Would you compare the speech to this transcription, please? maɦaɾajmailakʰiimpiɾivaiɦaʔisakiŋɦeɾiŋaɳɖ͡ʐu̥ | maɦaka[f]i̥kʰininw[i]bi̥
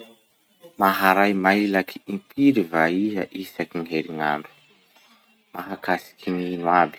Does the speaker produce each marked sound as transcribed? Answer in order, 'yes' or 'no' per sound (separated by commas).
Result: no, no